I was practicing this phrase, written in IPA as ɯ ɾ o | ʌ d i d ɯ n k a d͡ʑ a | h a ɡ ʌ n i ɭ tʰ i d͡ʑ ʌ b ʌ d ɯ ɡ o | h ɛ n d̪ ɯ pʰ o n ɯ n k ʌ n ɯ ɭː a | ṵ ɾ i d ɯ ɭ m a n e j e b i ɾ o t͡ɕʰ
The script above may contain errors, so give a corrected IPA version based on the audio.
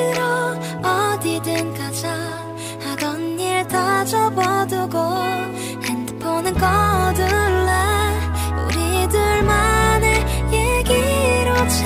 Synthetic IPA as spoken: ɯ ɾ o | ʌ d i d ɯ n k a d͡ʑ a | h a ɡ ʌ n i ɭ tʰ a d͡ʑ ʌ b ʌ d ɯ ɡ o | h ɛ n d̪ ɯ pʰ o n ɯ n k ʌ d ɯ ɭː a | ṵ ɾ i d ɯ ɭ m a n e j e ɡ i ɾ o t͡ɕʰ

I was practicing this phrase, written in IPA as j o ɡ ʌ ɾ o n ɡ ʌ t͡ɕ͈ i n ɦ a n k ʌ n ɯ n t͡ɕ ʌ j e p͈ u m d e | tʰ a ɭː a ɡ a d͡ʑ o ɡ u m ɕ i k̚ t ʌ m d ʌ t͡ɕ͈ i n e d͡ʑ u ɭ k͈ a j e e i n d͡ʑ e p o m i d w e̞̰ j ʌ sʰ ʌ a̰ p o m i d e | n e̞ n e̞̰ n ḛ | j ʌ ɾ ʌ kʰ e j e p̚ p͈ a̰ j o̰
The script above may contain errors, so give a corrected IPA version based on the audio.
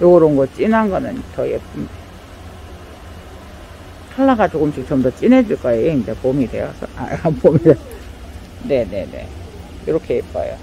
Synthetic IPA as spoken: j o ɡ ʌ ɾ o n ɡ ʌ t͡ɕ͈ i n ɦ a n ɡ ʌ n ɯ n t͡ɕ ʌ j e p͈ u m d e | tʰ a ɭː a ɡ a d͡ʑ o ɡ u m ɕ i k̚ t͡ɕ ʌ m d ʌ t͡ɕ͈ i n e d͡ʑ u ɭ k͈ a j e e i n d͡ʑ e p o m i d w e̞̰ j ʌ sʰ ʌ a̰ p o m i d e | n e̞ n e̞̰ n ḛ | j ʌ ɾ ʌ kʰ e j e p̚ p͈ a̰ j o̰

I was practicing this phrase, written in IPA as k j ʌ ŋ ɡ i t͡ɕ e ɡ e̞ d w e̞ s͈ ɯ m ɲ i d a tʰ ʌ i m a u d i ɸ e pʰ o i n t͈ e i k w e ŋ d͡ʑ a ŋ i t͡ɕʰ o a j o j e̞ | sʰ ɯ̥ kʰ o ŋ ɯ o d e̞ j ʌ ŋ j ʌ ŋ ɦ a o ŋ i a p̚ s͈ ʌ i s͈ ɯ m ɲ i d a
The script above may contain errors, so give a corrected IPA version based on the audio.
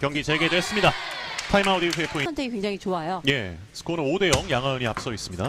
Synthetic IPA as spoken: k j ʌ ŋ ɡ i t͡ɕ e ɡ e̞ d w e̞ s͈ ɯ m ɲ i d a tʰ a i m a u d i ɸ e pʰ o i n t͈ e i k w e ŋ d͡ʑ a ŋ i t͡ɕ o a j o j e̞ | sʰ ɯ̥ kʰ o n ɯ o d e̞ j ʌ ŋ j a ŋ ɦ a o ɲ i a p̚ s͈ ʌ i s͈ ɯ m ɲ i d a

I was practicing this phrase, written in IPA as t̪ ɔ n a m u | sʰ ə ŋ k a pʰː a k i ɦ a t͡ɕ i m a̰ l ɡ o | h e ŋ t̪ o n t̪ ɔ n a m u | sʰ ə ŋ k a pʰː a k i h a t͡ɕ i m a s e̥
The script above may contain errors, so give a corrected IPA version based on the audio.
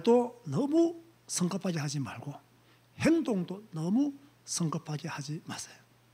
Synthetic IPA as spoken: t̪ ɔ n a m u | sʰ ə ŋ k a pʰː a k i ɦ a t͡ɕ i m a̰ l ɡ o | h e n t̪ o ŋ t̪ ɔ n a m u | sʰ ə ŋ k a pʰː a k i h a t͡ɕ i m a s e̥

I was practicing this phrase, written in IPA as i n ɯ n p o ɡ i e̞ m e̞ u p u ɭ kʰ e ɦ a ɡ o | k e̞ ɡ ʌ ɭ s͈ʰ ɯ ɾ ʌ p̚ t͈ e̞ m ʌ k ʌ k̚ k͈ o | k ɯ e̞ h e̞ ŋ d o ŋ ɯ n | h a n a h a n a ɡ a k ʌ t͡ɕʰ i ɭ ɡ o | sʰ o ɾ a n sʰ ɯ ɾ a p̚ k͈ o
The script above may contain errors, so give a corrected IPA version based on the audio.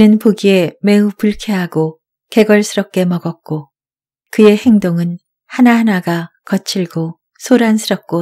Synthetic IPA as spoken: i n ɯ n p o ɡ i e̞ m e̞ u p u ɭ kʰ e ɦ a ɡ o | k e̞ ɡ ʌ ɭ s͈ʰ ɯ ɾ ʌ p̚ k͈ e̞ m ʌ ɡ ʌ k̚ k͈ o | k ɯ e̞ h e̞ ŋ d o ŋ ɯ n | h a n a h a n a ɡ a k ʌ t͡ɕʰ i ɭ ɡ o | sʰ o ɾ a n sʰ ɯ ɾ ʌ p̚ k͈ o

